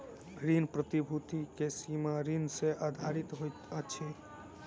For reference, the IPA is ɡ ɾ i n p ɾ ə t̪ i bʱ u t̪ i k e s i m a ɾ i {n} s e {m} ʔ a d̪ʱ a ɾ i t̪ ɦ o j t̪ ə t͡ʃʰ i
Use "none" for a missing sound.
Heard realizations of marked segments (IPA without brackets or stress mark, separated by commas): n, none